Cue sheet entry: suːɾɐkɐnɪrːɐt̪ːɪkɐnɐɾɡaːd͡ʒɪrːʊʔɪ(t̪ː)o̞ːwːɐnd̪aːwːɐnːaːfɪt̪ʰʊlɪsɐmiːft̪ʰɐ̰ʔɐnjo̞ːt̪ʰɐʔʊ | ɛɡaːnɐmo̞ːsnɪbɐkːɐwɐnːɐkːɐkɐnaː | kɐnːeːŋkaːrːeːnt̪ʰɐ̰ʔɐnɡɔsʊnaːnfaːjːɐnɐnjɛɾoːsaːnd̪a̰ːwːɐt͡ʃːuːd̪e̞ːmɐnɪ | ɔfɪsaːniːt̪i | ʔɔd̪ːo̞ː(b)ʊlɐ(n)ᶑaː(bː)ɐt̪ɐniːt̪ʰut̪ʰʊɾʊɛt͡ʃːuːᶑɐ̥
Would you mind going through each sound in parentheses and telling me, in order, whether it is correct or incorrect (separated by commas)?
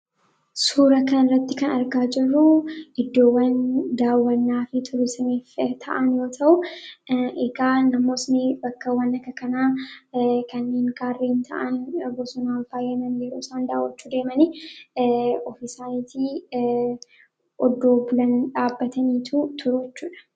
incorrect, correct, correct, correct